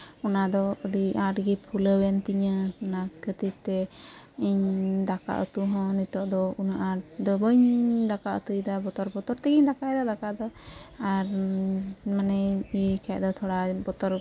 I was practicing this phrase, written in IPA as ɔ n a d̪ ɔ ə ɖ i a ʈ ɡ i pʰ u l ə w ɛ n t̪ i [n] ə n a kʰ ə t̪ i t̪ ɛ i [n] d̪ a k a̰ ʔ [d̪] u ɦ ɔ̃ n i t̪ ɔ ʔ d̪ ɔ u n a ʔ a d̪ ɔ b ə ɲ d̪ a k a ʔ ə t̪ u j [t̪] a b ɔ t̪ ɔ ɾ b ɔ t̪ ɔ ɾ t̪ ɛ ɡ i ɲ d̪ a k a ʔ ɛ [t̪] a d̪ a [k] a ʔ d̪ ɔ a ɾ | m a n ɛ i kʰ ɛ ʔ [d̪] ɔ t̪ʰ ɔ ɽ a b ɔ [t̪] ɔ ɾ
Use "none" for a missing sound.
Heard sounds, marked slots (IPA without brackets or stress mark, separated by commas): ɲ, ɲ, t̪, d̪, d̪, k, d̪, t̪